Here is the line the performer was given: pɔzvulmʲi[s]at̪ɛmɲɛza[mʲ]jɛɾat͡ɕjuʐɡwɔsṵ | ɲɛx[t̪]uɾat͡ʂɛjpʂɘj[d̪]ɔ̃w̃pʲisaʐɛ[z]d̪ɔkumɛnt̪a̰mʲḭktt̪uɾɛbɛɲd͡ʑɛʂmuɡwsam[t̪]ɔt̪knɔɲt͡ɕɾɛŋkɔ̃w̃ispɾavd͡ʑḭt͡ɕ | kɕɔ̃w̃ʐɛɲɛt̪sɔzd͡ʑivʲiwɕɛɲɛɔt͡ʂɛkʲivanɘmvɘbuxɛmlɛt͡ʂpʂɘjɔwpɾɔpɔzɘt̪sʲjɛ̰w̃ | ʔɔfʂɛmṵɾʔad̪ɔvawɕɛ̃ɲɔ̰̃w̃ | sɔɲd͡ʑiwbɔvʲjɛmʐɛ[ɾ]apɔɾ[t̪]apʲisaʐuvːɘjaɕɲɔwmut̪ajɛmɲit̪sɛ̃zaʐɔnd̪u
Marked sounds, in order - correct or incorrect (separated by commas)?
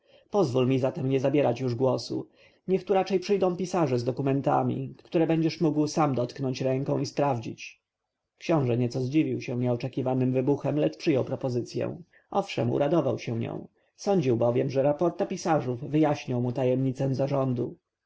incorrect, incorrect, correct, correct, correct, incorrect, correct, correct